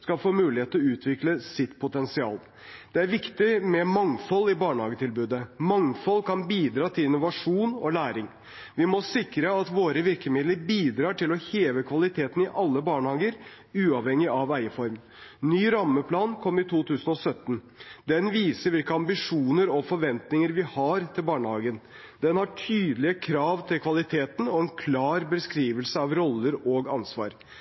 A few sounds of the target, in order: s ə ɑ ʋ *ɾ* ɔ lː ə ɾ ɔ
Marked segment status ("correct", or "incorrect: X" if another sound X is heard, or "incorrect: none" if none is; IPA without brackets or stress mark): correct